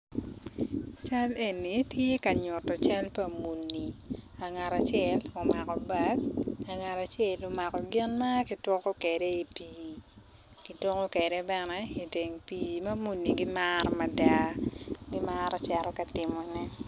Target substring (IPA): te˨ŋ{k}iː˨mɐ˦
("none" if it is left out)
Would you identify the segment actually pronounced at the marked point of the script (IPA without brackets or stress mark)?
p